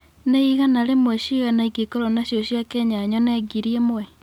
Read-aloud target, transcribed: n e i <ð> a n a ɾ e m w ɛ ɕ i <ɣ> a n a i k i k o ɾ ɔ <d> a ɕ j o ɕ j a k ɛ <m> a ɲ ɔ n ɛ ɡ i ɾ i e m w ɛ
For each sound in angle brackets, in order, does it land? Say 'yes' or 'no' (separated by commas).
no, yes, no, no